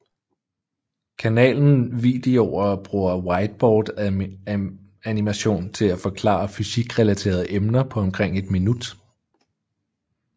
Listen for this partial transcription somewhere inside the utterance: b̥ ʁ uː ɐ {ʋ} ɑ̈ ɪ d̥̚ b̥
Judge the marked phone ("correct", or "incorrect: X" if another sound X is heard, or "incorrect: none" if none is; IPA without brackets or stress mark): incorrect: w